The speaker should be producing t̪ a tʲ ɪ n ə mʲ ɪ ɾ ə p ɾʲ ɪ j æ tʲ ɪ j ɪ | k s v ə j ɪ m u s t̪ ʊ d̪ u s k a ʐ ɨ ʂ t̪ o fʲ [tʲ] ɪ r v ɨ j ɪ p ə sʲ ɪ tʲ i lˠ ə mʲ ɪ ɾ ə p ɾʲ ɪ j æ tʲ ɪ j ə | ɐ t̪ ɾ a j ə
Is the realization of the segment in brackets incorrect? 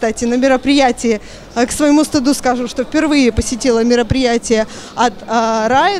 yes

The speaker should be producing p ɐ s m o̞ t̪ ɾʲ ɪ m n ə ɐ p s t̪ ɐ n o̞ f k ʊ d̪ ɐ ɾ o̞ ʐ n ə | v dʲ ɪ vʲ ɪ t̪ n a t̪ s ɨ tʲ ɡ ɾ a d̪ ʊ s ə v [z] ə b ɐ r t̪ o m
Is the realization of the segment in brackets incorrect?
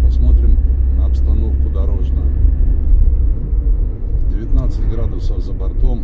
no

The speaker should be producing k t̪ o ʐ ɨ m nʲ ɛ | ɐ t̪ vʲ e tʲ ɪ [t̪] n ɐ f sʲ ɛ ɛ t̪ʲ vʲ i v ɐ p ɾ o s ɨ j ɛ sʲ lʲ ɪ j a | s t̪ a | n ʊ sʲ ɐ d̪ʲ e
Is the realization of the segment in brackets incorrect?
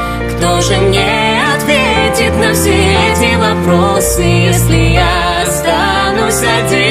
no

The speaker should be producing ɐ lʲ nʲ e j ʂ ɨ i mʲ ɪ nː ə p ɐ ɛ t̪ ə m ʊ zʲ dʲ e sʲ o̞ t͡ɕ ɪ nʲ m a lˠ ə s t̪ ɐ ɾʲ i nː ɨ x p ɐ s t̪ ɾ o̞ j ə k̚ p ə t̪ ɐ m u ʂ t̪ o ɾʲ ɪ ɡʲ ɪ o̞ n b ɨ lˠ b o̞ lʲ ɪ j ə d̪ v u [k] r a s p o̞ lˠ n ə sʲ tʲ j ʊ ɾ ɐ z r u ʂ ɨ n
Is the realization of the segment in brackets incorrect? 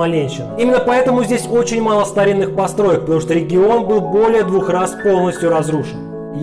yes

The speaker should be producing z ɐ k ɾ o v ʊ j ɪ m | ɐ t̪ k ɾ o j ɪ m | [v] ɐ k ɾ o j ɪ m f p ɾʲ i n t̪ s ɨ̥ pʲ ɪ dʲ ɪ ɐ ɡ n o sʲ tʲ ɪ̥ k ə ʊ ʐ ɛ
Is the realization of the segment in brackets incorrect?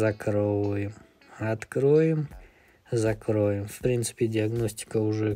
yes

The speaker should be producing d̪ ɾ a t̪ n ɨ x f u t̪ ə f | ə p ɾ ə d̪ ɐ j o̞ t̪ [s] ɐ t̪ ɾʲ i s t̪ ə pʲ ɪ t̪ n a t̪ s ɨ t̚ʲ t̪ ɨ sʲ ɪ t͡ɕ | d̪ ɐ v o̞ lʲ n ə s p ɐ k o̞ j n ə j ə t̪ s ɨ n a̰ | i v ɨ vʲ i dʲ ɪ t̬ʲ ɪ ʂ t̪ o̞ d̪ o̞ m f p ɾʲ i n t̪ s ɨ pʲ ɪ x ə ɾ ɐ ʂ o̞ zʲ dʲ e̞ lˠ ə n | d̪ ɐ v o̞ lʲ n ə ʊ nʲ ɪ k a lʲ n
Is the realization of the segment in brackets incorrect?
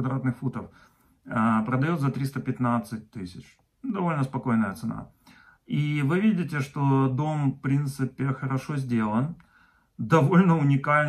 yes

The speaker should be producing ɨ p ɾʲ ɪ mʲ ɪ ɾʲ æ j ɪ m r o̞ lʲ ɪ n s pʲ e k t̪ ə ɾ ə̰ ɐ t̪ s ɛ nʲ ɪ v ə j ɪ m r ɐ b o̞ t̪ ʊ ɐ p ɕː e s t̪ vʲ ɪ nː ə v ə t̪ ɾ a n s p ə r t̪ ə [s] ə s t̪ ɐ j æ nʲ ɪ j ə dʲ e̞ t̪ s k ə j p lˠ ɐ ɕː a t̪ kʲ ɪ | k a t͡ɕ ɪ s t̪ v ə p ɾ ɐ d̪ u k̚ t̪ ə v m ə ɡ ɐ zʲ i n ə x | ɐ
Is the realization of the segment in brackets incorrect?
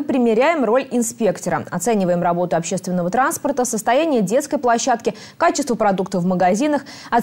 no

